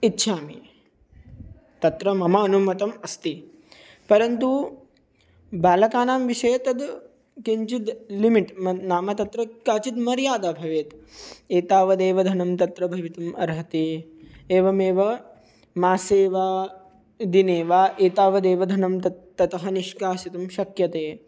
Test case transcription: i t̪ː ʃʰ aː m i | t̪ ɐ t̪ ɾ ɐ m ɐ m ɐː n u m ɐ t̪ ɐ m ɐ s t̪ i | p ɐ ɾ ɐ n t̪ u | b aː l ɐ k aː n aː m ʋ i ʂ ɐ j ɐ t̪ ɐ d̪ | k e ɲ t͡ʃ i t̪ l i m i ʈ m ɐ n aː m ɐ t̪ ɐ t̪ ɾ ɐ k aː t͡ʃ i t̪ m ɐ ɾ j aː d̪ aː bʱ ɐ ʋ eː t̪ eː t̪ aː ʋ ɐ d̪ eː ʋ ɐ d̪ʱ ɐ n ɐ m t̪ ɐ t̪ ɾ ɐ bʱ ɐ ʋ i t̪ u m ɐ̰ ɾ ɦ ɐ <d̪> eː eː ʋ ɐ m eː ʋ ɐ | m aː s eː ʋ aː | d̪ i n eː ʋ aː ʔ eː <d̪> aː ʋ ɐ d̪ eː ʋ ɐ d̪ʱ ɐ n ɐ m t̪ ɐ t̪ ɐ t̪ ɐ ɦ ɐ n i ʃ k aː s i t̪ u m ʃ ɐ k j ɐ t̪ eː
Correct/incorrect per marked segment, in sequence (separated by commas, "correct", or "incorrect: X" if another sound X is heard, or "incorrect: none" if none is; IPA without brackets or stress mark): incorrect: t̪, incorrect: t̪